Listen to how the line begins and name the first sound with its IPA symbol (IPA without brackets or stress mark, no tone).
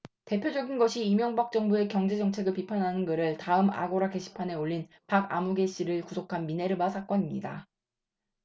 t